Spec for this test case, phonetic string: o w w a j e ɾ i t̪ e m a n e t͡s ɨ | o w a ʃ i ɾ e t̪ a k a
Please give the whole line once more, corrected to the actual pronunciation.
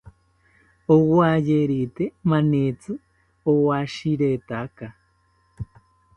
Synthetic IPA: o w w a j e ɾ i t̪ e m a n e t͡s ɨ | o w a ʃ i ɾ e t̪ a k a